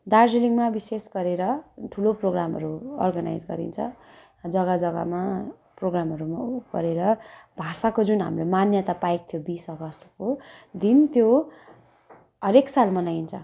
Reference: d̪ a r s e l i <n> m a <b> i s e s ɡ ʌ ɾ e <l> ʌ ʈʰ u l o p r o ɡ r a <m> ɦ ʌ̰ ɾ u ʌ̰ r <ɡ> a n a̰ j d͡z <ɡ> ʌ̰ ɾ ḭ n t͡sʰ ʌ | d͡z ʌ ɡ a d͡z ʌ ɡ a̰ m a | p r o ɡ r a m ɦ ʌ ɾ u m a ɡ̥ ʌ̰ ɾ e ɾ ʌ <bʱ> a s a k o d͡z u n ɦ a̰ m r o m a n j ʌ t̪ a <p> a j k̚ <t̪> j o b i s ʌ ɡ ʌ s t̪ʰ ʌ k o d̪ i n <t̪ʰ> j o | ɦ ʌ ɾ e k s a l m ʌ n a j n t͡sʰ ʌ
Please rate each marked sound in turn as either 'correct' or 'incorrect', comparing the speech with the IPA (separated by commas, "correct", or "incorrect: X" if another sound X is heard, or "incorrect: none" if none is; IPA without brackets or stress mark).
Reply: incorrect: ŋ, correct, incorrect: ɾ, correct, correct, correct, correct, correct, incorrect: t̪ʰ, incorrect: t̪